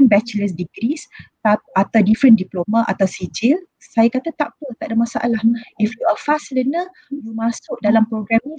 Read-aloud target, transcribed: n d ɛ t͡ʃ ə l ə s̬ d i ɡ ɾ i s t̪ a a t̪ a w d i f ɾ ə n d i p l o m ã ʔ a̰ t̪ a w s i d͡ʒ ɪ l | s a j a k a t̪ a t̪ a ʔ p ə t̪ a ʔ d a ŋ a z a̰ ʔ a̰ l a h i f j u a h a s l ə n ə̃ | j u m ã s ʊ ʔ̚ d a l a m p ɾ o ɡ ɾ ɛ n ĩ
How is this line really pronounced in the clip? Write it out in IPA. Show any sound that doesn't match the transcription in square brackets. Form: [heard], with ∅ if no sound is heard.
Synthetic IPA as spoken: n [b] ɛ t͡ʃ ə l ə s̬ d i ɡ ɾ i s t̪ a a t̪ a w d i f ɾ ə n d i p l o m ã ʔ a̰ t̪ a w s i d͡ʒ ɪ l | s a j a k a t̪ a t̪ a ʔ p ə t̪ a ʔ d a [m] a [s] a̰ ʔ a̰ l a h i f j u a [f] a s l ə n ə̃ | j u m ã s ʊ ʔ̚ d a l a m p ɾ o ɡ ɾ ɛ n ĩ